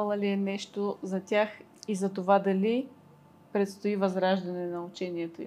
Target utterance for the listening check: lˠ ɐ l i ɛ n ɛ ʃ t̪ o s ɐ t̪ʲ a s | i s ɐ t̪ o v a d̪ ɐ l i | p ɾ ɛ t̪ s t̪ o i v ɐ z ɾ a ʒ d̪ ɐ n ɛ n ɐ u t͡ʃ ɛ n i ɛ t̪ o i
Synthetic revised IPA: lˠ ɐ l i ɛ n ɛ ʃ t̪ o z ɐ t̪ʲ a x | i z ɐ t̪ o v a d̪ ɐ l i | p ɾ ɛ t̪ s t̪ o i v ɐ z ɾ a ʒ d̪ ɐ n ɛ n ɐ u t͡ʃ ɛ n i ɛ t̪ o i